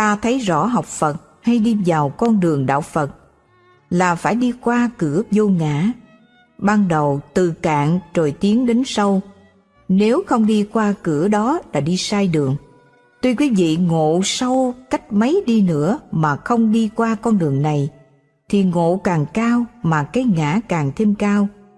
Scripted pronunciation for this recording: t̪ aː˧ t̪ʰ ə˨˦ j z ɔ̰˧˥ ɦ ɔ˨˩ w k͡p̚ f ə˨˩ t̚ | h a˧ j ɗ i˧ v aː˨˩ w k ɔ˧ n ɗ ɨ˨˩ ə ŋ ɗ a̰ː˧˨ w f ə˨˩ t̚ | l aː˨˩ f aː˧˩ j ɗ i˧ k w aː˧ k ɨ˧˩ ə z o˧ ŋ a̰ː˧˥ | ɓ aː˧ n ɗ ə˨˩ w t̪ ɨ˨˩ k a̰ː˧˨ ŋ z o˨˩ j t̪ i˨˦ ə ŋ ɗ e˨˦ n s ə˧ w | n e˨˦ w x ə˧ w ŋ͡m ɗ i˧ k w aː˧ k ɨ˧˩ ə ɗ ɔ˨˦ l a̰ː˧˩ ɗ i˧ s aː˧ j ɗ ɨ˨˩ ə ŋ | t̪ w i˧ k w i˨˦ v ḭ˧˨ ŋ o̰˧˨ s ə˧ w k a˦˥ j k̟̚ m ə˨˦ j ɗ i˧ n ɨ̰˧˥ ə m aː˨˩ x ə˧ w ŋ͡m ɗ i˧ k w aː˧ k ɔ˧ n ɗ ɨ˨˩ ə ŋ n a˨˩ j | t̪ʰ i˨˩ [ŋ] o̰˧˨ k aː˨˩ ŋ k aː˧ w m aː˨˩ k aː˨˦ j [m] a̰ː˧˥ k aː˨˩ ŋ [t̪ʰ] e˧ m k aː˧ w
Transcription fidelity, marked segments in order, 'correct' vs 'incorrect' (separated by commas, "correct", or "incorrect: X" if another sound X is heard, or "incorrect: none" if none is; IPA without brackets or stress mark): correct, incorrect: ŋ, correct